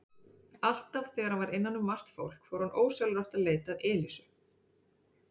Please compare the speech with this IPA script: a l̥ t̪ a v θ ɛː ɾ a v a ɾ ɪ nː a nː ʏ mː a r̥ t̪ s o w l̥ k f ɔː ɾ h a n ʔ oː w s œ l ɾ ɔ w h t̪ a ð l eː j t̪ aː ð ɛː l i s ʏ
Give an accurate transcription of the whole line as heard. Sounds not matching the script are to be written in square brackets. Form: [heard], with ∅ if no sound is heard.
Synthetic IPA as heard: a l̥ t̪ a v θ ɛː ɾ a v a ɾ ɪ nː a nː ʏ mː a r̥ t̪ [f] o w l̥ k f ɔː ɾ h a n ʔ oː w s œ l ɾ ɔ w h t̪ a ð l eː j t̪ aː ð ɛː l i s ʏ